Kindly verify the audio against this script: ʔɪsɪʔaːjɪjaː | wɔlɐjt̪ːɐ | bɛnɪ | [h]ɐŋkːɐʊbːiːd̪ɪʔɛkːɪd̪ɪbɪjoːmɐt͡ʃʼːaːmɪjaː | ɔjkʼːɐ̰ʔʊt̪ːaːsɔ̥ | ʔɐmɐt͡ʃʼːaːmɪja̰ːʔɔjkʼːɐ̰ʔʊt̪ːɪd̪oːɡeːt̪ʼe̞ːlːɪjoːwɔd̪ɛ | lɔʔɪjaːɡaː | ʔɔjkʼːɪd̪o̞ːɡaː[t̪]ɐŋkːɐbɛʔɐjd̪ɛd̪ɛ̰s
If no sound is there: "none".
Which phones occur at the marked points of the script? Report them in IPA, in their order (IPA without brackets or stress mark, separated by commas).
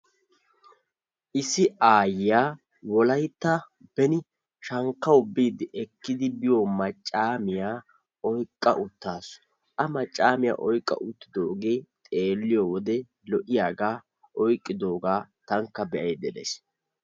ʃ, t̪